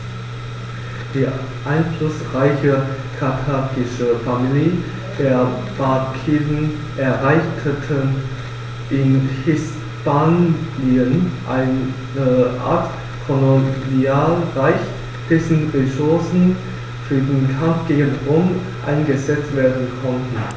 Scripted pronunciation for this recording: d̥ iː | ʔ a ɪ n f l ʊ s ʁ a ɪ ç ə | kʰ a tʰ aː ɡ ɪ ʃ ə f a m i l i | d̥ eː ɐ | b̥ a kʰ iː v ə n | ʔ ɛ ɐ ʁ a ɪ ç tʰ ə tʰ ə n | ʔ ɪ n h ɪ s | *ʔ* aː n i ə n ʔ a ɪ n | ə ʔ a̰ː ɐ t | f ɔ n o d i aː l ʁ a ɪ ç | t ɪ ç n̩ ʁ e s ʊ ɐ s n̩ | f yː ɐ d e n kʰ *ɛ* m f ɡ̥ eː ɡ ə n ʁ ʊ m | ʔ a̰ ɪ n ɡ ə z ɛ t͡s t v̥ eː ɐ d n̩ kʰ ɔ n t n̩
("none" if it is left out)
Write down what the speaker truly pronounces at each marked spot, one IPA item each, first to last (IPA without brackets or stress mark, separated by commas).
p, a